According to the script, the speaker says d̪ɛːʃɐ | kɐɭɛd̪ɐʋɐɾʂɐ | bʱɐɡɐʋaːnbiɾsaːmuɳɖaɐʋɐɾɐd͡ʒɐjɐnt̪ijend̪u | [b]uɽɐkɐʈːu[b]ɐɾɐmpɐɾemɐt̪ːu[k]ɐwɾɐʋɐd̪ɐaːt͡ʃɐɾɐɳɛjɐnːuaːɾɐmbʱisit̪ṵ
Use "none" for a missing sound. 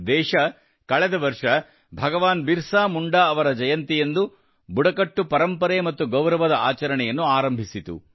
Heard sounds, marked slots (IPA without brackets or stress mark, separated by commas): b, p, ɡ